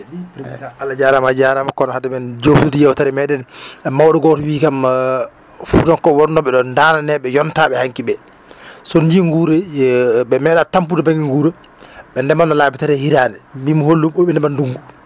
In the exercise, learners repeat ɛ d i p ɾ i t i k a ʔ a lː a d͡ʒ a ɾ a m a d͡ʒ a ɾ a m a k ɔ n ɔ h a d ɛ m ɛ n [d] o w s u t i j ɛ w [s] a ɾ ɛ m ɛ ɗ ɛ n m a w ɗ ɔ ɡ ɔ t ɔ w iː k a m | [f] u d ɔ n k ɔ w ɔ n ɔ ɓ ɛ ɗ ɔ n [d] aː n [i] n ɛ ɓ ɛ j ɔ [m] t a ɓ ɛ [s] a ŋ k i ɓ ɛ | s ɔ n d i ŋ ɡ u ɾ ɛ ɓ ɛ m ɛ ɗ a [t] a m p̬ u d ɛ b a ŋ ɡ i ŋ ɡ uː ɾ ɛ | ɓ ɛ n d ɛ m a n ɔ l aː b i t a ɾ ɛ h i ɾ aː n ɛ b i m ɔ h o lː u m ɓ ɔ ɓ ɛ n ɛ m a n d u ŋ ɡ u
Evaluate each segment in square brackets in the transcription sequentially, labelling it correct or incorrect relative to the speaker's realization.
incorrect, incorrect, correct, correct, incorrect, incorrect, incorrect, correct

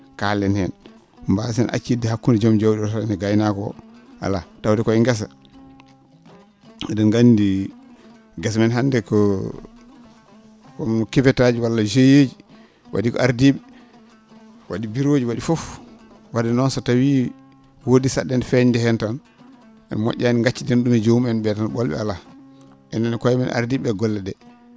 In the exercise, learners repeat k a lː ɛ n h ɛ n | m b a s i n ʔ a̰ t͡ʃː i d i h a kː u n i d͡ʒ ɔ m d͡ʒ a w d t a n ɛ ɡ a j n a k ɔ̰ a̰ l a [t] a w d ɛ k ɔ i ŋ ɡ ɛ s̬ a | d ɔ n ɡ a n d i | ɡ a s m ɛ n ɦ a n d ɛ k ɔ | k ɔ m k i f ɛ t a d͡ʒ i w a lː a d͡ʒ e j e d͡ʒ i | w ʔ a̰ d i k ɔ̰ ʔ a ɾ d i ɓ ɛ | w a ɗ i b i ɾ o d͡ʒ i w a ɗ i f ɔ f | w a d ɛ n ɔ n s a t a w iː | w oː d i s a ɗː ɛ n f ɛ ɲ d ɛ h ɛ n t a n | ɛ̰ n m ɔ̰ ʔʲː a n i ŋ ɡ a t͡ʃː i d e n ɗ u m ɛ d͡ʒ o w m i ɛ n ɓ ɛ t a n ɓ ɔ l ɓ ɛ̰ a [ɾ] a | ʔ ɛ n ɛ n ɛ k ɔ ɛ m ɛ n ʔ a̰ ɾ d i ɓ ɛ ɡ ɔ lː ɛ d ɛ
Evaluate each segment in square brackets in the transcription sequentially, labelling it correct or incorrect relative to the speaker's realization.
correct, incorrect

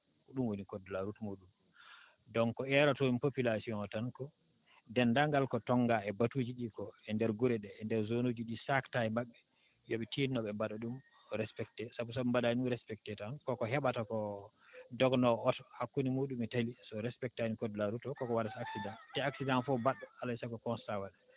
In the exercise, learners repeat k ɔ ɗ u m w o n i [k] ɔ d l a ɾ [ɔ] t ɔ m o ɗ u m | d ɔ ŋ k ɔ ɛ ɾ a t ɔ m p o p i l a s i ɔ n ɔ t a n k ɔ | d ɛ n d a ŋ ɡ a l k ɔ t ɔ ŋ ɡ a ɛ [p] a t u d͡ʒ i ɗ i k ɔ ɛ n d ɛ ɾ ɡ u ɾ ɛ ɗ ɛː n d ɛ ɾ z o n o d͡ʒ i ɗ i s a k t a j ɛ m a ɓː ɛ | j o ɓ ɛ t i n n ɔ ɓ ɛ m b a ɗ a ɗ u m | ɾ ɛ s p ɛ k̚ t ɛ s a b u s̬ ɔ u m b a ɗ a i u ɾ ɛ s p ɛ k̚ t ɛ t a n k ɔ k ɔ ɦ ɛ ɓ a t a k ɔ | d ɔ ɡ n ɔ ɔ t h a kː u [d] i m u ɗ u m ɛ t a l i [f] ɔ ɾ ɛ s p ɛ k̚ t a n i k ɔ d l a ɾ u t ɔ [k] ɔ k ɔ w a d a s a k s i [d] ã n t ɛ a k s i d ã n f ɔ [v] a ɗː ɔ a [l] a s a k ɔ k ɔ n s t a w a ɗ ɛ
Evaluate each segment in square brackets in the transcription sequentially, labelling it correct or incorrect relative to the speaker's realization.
correct, incorrect, incorrect, incorrect, incorrect, correct, correct, incorrect, correct

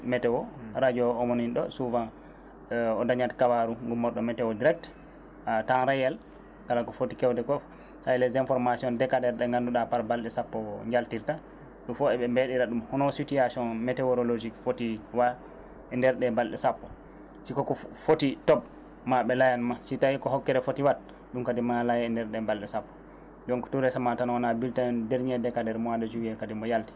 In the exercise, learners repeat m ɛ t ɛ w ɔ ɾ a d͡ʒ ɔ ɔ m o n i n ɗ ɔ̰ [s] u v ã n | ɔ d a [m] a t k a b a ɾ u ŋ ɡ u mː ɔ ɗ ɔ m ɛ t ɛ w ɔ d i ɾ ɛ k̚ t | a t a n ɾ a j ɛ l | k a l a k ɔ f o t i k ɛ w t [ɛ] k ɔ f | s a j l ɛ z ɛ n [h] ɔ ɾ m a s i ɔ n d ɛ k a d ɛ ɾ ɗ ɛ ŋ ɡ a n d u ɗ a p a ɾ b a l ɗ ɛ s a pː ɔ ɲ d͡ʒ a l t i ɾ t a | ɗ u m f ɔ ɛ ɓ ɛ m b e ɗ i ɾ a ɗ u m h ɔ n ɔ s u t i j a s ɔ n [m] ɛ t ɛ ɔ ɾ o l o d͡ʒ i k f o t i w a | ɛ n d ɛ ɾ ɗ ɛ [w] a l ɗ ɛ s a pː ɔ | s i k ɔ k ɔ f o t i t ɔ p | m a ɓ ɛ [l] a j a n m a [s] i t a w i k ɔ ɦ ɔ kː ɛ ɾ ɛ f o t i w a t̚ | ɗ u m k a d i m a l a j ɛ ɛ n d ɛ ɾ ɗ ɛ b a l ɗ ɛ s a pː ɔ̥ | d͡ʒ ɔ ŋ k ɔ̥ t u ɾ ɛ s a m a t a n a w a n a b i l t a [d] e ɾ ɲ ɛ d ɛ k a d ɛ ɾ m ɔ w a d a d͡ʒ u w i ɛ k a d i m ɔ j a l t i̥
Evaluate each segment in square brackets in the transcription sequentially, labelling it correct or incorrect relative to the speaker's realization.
correct, incorrect, correct, incorrect, correct, incorrect, correct, correct, correct

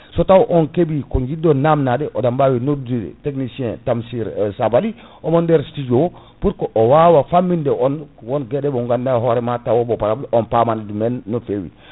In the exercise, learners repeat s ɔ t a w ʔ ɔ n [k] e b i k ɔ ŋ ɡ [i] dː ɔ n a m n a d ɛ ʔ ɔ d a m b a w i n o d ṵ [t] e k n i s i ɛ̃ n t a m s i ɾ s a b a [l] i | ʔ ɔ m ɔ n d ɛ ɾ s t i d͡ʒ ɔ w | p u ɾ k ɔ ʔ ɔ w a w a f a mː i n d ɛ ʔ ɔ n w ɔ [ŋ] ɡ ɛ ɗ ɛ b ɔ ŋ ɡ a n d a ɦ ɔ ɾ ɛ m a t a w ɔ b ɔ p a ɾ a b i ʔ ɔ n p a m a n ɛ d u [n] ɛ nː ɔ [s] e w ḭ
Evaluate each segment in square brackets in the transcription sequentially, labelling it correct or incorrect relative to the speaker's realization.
correct, correct, correct, correct, incorrect, incorrect, incorrect

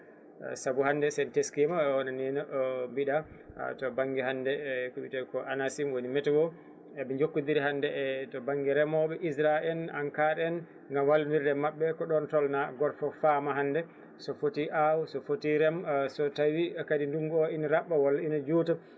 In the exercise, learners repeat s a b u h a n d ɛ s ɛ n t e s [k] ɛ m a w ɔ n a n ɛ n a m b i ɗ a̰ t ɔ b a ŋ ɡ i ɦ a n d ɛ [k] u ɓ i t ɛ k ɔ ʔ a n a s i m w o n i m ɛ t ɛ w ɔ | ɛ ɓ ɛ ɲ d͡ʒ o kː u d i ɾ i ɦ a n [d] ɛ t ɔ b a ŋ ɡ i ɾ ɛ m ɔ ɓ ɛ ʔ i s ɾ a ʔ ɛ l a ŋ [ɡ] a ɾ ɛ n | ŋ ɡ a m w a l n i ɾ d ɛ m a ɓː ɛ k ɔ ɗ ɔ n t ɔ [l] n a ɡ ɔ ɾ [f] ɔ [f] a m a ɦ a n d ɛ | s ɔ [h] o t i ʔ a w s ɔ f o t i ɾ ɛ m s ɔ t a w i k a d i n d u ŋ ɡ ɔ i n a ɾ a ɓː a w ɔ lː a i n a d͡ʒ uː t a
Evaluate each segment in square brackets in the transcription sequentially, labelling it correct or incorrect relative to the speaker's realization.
correct, correct, correct, incorrect, correct, correct, correct, incorrect

